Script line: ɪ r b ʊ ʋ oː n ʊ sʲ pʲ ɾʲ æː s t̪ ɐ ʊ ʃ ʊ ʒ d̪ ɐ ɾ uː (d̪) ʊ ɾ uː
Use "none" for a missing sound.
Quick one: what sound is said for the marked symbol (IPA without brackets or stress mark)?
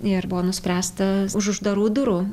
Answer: d̪